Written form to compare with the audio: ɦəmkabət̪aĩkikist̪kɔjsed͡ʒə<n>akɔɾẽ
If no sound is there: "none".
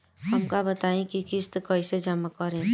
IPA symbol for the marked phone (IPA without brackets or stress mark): m